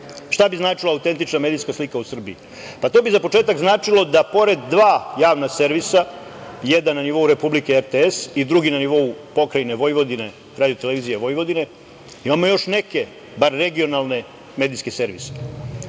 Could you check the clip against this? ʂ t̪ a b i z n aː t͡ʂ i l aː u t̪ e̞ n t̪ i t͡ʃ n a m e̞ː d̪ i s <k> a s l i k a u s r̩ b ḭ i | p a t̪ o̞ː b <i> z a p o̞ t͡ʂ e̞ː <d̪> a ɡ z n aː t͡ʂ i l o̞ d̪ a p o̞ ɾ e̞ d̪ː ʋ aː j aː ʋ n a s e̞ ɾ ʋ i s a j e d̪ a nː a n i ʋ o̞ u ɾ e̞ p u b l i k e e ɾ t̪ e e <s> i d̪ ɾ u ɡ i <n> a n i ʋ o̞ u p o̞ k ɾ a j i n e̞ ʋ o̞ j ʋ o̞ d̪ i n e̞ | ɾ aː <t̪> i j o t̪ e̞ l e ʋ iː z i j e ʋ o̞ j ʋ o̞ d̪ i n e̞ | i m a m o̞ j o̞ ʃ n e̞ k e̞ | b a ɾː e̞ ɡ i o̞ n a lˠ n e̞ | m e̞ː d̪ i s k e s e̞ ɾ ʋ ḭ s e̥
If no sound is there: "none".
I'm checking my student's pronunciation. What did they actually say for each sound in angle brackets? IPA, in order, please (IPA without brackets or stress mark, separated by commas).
k, i, t̪, s, n, d̪